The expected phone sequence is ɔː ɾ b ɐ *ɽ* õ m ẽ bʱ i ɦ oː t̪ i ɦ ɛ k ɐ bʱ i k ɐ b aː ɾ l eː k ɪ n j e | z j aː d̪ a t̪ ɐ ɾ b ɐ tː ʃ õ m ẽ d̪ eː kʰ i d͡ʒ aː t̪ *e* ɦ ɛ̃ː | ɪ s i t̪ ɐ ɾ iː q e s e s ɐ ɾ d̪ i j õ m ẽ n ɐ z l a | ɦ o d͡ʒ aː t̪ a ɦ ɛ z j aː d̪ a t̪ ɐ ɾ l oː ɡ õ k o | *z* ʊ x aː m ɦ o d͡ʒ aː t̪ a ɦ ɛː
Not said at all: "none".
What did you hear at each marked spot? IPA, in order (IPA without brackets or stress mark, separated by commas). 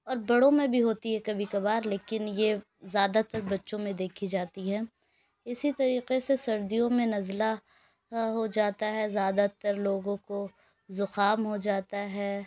ɽ, i, z